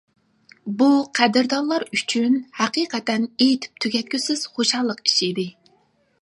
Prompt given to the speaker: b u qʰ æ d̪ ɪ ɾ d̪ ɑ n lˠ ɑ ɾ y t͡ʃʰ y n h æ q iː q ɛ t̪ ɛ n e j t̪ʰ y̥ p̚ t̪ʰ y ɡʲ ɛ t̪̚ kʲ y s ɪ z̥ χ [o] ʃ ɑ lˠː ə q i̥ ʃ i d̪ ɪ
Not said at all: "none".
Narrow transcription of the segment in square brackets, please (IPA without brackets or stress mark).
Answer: o